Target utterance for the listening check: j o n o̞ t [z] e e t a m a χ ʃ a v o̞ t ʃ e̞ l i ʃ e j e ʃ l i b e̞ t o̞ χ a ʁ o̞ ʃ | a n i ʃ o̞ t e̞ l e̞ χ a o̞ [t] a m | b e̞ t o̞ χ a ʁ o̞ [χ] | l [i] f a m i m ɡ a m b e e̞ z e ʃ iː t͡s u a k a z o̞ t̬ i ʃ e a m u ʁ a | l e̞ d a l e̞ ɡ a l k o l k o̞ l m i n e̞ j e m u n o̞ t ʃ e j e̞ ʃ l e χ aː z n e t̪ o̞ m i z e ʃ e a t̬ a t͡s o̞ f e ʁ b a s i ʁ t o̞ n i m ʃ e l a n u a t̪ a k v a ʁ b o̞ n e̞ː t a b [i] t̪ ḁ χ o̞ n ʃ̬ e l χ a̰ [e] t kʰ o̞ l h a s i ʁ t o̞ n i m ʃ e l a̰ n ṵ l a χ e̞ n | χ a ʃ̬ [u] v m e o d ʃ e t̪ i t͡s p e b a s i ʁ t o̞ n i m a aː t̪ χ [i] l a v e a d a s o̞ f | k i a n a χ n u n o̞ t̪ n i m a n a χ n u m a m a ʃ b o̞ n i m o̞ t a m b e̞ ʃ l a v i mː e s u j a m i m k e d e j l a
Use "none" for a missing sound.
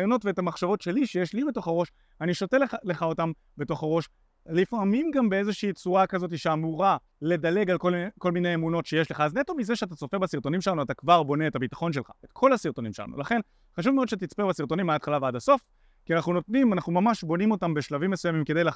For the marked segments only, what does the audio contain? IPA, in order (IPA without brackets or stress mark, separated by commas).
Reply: v, t, ʃ, i, i, e, u, a